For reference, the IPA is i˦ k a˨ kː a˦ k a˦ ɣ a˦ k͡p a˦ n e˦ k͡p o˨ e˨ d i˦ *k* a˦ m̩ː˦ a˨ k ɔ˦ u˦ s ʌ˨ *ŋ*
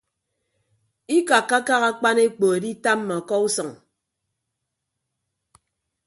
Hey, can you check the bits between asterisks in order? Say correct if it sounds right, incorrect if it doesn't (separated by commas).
incorrect, correct